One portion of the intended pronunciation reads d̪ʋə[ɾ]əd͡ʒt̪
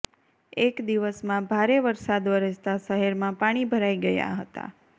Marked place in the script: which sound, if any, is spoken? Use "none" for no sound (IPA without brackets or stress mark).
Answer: ɾ